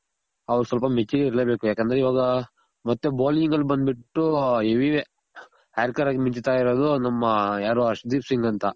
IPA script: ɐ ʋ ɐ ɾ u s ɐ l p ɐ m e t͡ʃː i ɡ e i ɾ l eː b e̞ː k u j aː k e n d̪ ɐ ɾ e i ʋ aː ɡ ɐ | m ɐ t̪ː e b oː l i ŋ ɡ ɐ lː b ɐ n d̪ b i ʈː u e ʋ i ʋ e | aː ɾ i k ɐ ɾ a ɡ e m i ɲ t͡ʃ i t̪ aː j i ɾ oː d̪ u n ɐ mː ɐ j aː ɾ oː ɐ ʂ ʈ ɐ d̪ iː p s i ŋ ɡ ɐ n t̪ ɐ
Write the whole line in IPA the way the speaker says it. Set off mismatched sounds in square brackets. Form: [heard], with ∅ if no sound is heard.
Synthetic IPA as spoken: ɐ ʋ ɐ ɾ u s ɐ l p ɐ m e t͡ʃː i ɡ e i ɾ l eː b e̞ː k u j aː k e n d̪ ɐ ɾ e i ʋ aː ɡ ɐ | m ɐ t̪ː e b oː l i ŋ ɡ ɐ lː b ɐ n d̪ b i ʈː u e ʋ i ʋ e | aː ɾ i k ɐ ɾ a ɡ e m i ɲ t͡ʃ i t̪ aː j i ɾ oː d̪ u n ɐ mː ɐ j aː ɾ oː ɐ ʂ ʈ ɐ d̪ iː p s i ŋ ɡ ɐ n t̪ ɐ